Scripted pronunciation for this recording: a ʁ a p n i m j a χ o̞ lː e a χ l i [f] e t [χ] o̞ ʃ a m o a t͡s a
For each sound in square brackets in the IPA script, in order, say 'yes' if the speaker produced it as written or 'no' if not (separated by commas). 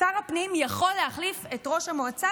yes, no